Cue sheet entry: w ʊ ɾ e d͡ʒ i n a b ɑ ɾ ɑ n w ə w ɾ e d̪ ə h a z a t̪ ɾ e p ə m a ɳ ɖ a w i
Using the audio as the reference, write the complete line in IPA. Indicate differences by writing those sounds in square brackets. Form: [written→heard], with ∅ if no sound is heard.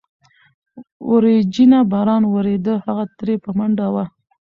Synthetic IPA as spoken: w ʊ ɾ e d͡ʒ i n a b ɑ ɾ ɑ n w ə [w→∅] ɾ e d̪ ə h a [z→ɣ] a t̪ ɾ e p ə m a ɳ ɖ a w [i→a]